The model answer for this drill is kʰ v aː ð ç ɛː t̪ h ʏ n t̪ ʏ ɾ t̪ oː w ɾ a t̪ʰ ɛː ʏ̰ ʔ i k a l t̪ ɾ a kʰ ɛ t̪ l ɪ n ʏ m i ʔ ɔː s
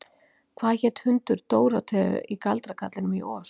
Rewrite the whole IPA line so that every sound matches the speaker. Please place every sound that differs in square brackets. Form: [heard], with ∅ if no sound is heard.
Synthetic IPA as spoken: kʰ v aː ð ç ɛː t̪ h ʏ n t̪ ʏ ɾ t̪ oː w ɾ a t̪ʰ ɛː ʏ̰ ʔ i k a l t̪ ɾ a kʰ [a] t̪ l ɪ n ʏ m i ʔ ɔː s